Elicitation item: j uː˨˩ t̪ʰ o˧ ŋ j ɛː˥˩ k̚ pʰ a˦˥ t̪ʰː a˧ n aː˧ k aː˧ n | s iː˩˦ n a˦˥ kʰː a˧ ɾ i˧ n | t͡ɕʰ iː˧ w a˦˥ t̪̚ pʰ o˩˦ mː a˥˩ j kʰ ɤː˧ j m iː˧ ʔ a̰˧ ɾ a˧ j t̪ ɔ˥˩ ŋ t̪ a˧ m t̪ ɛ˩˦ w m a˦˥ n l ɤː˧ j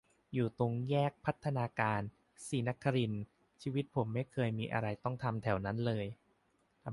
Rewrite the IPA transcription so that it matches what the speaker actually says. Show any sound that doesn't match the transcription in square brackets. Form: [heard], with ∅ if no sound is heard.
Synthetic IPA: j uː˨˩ [t̪] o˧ ŋ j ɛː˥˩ k̚ pʰ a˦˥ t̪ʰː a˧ n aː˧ k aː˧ n | s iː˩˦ n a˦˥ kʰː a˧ ɾ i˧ n | t͡ɕʰ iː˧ w [i˦˥] t̪̚ pʰ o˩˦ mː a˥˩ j kʰ ɤː˧ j m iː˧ ʔ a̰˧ ɾ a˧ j t̪ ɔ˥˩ ŋ [t̪ʰ] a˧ m [t̪ʰ] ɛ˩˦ w [n] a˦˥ n l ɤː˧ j